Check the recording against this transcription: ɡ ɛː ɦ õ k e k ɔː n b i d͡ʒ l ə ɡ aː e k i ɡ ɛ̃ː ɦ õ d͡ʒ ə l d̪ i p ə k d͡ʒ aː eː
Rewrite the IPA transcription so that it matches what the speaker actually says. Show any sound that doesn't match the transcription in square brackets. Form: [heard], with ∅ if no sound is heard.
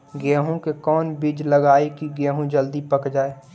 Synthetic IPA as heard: ɡ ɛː ɦ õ k e k ɔː n b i d͡ʒ l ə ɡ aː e k i ɡ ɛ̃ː ɦ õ d͡ʒ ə l d̪ i p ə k d͡ʒ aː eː